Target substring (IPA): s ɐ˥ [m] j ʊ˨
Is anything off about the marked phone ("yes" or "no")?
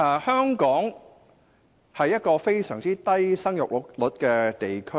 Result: yes